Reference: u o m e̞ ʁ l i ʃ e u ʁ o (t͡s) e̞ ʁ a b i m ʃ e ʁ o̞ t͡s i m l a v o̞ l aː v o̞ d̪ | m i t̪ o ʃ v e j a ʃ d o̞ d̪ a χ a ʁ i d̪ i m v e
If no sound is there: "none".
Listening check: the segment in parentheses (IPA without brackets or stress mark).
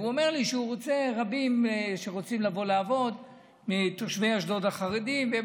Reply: t͡s